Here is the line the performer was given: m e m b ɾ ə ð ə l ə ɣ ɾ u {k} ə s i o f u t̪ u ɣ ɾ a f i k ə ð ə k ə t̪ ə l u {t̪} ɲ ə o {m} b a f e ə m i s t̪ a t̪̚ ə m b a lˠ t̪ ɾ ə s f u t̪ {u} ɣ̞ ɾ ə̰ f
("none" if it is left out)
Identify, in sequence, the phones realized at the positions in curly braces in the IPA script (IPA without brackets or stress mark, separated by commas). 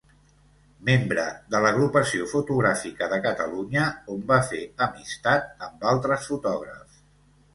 p, none, m, ɔ